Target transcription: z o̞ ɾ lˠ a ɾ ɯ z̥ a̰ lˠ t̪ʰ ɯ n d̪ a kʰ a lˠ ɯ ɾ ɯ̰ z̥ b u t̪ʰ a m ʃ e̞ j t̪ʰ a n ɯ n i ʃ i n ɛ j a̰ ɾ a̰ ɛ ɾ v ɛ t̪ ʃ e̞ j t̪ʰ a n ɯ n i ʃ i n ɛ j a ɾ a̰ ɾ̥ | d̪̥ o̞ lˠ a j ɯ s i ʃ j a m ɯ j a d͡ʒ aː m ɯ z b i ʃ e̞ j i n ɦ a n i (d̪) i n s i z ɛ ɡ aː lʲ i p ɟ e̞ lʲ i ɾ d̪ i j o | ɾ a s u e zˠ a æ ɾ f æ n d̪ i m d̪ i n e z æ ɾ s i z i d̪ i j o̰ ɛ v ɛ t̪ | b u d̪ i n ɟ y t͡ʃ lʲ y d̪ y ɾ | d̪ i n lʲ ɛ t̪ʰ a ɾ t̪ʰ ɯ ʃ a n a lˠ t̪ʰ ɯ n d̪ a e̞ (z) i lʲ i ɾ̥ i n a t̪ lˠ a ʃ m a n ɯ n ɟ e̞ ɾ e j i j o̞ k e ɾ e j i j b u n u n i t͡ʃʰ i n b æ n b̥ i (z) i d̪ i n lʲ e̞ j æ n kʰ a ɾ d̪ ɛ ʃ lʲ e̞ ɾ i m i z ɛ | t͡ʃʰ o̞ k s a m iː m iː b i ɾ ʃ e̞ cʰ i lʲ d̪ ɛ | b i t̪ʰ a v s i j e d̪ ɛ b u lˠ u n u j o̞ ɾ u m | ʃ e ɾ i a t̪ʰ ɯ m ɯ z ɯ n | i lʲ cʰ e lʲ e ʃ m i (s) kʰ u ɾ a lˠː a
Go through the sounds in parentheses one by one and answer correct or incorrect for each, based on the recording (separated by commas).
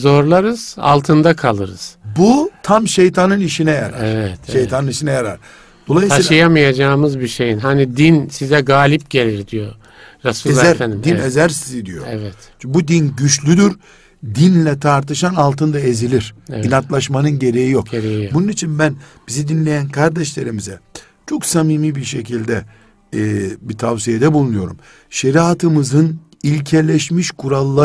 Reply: correct, correct, correct, incorrect